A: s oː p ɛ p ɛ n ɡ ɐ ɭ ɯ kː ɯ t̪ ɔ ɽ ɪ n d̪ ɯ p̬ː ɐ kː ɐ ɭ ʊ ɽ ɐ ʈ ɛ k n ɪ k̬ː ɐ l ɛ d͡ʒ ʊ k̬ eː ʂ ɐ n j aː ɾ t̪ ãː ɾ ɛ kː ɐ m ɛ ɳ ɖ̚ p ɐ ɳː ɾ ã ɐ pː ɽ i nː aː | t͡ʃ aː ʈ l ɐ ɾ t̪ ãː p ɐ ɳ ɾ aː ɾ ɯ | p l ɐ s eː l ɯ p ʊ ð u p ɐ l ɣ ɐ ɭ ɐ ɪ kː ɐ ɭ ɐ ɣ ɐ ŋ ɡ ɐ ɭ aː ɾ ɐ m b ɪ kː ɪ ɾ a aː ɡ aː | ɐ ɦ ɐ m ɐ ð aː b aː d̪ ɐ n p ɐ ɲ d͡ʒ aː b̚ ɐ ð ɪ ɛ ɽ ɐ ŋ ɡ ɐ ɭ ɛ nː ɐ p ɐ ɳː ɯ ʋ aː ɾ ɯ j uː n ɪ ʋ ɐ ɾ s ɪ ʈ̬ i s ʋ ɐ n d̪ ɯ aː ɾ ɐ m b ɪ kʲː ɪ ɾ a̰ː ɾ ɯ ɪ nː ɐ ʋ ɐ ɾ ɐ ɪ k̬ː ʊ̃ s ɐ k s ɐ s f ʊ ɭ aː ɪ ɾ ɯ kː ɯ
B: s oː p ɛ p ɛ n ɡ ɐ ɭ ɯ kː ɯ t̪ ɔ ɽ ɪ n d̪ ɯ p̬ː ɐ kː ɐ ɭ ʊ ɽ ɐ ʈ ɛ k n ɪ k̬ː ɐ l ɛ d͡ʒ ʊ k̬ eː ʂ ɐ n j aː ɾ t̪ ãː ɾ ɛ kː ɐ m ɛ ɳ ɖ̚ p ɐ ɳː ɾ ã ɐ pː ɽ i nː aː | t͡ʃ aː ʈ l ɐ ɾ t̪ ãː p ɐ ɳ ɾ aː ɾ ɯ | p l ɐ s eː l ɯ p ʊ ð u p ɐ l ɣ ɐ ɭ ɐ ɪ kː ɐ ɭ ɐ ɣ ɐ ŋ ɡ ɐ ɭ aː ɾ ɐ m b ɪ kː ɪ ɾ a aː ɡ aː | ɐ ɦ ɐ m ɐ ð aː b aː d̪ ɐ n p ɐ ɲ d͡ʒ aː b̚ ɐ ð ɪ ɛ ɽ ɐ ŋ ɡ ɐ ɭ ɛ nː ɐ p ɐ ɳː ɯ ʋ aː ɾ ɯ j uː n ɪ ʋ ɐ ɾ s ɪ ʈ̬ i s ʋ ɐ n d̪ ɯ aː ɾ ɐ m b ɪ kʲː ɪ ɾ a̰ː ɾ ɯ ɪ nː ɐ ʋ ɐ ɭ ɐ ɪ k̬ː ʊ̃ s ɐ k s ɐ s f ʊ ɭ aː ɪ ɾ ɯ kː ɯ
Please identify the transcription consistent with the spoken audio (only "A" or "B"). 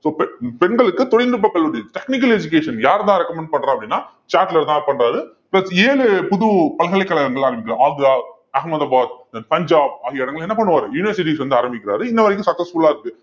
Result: A